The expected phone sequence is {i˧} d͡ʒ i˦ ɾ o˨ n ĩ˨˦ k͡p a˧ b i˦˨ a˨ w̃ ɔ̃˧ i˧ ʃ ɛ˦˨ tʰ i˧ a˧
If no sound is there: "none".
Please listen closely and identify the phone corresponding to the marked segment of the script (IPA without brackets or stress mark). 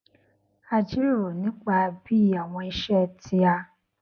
a˧